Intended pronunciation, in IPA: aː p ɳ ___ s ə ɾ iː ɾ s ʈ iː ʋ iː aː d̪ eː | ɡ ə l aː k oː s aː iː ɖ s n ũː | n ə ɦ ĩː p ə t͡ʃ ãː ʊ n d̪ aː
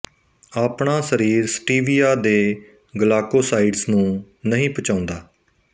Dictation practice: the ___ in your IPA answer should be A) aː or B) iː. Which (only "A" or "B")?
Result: A